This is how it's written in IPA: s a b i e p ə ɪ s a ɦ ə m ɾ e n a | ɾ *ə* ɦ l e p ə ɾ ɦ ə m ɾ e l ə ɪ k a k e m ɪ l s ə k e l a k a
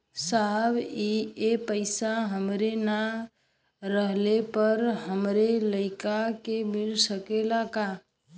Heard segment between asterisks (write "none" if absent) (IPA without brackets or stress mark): ə